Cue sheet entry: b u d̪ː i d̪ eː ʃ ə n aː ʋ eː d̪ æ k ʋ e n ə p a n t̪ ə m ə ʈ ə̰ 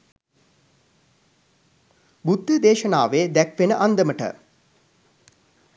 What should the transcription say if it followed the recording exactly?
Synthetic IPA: b u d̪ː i d̪ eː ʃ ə n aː ʋ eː d̪ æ k ʋ e n ə ʔ a n d̪ ə m ə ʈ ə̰